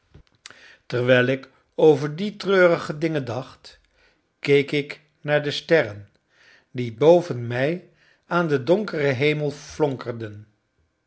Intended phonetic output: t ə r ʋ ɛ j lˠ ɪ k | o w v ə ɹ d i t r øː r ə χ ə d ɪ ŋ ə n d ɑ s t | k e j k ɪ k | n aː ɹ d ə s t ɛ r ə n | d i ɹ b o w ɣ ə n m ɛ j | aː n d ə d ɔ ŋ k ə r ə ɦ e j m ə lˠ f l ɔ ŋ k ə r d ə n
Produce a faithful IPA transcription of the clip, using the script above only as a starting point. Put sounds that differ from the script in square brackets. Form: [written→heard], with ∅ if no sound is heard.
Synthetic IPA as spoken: t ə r ʋ ɛ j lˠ ɪ k | o w v ə ɹ d i t r øː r ə χ ə d ɪ ŋ ə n d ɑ [s→χ] t | k e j k ɪ k | n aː ɹ d ə s t ɛ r ə n | d i [ɹ→∅] b o w [ɣ→v] ə n m ɛ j | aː n d ə d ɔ ŋ k ə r ə ɦ e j m ə lˠ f l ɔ ŋ k ə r d ə n

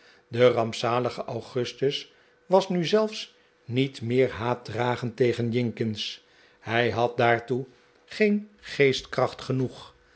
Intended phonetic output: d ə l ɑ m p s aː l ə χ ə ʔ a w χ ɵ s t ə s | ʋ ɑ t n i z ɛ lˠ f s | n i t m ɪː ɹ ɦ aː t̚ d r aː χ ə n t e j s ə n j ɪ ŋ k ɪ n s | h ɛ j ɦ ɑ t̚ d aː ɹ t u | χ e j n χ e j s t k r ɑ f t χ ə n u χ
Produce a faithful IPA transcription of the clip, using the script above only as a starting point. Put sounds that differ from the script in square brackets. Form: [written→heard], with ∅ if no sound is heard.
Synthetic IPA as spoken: d ə [l→r] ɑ m p s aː l ə χ ə ʔ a w χ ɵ s t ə s | ʋ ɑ [t→s] n [i→y] z ɛ lˠ f s | n i t m ɪː ɹ ɦ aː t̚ d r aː χ ə n t e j [s→χ] ə n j ɪ ŋ k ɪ n s | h ɛ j ɦ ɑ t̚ d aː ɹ t u | χ e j n χ e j s t k r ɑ [f→χ] t χ ə n u χ

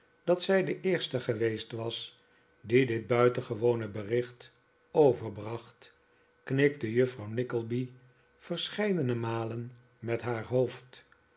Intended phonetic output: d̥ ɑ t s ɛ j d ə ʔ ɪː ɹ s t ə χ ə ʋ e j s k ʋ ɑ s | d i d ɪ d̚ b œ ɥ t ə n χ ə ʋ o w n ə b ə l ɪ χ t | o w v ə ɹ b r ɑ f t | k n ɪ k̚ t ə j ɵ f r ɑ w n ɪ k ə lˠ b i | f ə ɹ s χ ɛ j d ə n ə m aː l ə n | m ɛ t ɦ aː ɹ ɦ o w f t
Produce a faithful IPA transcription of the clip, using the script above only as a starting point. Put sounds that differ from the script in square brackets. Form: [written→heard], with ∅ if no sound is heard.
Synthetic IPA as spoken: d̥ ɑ t s ɛ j d ə ʔ ɪː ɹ s t ə χ ə ʋ e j s [k→t] ʋ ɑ s | d i d ɪ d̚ b œ ɥ t ə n χ ə ʋ o w n ə b ə [l→r] ɪ χ t | o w v ə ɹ b r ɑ [f→χ] t | k n ɪ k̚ t ə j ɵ f r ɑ w n ɪ k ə lˠ b i | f ə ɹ s χ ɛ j d ə n ə m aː l ə n | m ɛ t ɦ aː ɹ ɦ o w f t

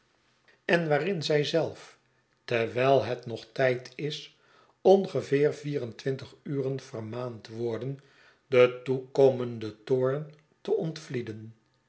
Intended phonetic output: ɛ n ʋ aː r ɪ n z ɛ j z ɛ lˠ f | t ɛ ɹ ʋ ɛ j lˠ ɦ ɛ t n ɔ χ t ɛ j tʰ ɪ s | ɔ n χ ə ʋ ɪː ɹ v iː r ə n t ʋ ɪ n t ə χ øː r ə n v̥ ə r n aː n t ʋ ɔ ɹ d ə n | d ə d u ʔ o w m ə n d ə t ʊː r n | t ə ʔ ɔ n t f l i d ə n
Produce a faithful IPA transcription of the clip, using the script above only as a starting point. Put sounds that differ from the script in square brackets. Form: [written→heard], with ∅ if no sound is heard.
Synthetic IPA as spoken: ɛ n ʋ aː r ɪ n z ɛ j z ɛ lˠ f | t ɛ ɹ ʋ ɛ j lˠ ɦ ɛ t n ɔ χ t ɛ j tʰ ɪ s | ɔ n χ ə [ʋ→v] ɪː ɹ v iː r ə n t ʋ ɪ n t ə χ [øː→yː] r ə n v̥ ə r [n→m] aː n t ʋ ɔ ɹ d ə n | d ə [d→t] u [ʔ→k] o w m ə n d ə t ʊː [r→ɹ] n | t ə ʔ ɔ n t f l i d ə n

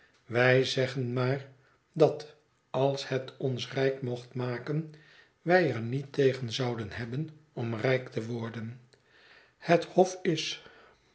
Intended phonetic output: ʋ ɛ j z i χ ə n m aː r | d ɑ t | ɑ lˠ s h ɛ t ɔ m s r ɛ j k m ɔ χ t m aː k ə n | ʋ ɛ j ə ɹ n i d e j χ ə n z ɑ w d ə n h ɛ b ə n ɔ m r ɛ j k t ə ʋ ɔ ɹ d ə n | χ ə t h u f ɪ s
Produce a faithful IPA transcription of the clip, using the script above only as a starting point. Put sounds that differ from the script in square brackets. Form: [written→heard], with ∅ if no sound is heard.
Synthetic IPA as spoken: ʋ ɛ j z [i→ɛ] χ ə n m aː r | d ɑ t | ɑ lˠ s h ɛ t ɔ [m→n] s r ɛ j k m ɔ χ t m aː k ə n | ʋ ɛ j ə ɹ n i [d→t] e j χ ə n z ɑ w d ə n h ɛ b ə n ɔ m r ɛ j k t ə ʋ ɔ ɹ d ə n | [χ→h] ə t h [u→ɔ] f ɪ s

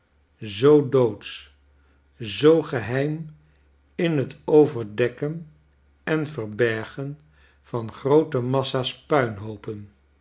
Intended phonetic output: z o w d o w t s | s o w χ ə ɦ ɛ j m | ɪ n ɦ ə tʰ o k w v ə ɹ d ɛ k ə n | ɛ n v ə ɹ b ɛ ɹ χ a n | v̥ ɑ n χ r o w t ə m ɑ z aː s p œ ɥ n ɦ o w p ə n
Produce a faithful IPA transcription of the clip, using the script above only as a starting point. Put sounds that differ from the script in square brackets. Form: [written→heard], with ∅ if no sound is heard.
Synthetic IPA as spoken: z o w d o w t s | [s→z] o w χ ə ɦ ɛ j m | ɪ n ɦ ə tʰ o [k→∅] w v ə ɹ d ɛ k ə n | ɛ n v ə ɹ b ɛ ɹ χ [a→ə] n | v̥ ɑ n χ r o w t ə m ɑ [z→s] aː s p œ ɥ n ɦ o w p ə n

